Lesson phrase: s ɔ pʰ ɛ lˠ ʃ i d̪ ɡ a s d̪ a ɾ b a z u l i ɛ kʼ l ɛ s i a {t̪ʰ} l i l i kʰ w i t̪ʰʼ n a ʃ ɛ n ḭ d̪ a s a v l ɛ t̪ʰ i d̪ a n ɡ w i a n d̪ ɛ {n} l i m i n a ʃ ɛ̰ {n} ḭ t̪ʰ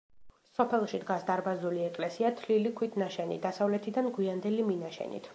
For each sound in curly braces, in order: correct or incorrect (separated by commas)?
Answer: correct, incorrect, correct